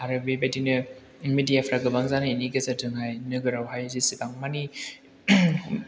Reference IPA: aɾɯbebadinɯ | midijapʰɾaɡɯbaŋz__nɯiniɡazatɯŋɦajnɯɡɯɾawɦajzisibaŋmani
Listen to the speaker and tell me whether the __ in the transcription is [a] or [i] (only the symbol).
a